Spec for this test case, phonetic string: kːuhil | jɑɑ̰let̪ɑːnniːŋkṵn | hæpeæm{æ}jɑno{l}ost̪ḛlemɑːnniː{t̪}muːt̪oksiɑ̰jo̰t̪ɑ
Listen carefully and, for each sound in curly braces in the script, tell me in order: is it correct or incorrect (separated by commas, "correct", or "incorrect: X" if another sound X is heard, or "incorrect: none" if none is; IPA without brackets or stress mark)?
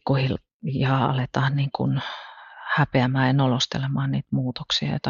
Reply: incorrect: æː, correct, correct